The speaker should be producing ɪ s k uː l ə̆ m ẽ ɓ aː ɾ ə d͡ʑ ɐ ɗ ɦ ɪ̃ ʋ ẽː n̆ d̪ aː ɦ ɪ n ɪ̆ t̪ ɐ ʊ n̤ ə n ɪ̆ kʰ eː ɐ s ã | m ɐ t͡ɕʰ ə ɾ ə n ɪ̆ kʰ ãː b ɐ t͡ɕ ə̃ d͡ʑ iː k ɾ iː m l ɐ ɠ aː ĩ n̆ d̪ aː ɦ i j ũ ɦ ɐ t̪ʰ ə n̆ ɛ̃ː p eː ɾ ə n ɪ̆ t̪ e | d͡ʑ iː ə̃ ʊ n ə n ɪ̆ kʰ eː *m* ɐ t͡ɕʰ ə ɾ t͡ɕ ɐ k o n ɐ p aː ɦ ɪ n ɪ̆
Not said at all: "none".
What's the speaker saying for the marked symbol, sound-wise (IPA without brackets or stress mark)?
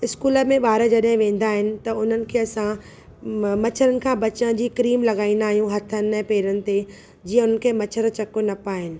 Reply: m